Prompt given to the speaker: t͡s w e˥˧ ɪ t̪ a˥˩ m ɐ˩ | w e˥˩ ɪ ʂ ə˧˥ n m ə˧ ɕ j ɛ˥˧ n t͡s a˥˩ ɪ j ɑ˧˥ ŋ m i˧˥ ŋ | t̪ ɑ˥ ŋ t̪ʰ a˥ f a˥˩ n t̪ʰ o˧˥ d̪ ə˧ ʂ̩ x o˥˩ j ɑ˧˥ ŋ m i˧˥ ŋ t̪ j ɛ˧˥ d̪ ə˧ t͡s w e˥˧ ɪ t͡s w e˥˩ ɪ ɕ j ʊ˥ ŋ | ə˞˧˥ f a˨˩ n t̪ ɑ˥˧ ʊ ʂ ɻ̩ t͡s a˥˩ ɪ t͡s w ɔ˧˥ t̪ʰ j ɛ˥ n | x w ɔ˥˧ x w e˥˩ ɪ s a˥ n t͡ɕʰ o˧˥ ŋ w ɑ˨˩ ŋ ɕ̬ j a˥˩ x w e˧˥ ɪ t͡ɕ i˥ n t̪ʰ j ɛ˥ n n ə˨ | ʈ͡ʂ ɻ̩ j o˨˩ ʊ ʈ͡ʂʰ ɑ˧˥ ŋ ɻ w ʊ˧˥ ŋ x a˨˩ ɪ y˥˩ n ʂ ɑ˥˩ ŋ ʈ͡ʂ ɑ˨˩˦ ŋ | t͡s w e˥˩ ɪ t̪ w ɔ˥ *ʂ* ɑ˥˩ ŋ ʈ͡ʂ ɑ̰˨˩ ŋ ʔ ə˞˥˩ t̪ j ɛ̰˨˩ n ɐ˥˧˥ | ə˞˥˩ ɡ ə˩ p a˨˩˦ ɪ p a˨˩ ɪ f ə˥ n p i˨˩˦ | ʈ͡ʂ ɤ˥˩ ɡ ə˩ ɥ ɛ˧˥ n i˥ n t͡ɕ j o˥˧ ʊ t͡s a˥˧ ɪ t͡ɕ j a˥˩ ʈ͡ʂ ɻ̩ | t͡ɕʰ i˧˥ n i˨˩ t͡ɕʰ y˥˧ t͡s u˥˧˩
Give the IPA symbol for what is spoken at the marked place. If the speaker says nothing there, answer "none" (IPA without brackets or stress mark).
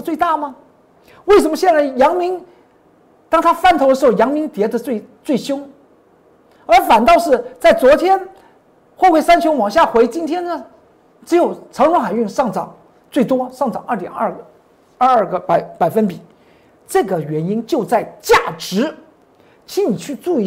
ʂ